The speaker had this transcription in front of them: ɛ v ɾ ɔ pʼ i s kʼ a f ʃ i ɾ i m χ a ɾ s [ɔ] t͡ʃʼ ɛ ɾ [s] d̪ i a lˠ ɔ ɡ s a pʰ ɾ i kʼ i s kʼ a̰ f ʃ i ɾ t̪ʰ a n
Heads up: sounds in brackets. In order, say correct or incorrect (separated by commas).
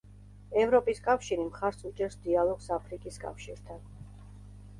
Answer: incorrect, correct